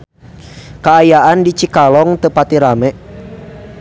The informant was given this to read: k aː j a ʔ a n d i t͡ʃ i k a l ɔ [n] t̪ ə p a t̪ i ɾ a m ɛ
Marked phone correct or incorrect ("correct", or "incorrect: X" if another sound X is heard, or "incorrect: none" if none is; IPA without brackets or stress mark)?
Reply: incorrect: ŋ